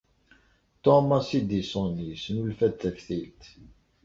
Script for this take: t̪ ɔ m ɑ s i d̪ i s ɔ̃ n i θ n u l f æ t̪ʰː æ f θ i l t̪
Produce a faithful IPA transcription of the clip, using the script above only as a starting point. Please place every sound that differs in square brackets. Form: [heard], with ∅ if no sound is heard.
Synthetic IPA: t̪ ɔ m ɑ s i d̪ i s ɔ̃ n i [s] n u l f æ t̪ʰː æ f θ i l t̪